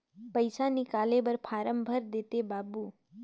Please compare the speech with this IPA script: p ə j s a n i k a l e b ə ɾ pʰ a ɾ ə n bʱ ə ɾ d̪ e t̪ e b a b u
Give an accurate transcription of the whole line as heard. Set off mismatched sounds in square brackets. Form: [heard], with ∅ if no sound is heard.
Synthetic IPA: p ə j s a n i k a l e b ə ɾ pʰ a ɾ ə [m] bʱ ə ɾ d̪ e t̪ e b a b u